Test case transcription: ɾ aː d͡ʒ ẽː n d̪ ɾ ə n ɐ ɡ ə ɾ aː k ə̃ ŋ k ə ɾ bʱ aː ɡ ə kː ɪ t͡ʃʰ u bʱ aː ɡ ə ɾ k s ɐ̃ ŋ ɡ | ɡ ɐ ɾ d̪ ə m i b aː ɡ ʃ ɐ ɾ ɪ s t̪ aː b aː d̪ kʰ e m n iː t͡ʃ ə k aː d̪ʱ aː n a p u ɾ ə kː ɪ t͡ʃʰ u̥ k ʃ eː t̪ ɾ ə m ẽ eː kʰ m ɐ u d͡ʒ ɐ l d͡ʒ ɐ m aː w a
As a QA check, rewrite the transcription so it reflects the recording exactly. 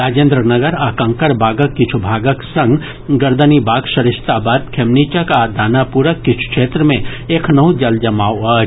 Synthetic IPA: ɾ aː d͡ʒ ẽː n d̪ ɾ ə n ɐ ɡ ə ɾ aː k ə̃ ŋ k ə ɾ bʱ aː ɡ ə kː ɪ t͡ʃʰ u bʱ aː ɡ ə k s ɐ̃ ŋ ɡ | ɡ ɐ ɾ d̪ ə n i b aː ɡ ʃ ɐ ɾ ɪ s t̪ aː b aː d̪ kʰ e m n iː t͡ʃ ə k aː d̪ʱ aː n a p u ɾ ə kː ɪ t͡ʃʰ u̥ k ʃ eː t̪ ɾ ə m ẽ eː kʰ n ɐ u d͡ʒ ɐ l d͡ʒ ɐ m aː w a